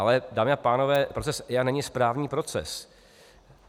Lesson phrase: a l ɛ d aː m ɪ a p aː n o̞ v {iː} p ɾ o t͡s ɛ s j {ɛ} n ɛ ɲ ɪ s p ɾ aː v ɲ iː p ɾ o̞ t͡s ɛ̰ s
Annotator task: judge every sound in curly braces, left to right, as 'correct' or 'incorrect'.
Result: incorrect: ɛː, incorrect: a

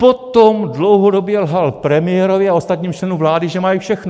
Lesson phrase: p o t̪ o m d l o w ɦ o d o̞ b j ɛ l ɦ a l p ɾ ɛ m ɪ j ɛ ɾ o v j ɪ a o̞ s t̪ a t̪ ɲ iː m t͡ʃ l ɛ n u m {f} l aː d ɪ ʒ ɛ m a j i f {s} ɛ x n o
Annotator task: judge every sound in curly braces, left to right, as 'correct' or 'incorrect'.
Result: incorrect: v, incorrect: ʃ

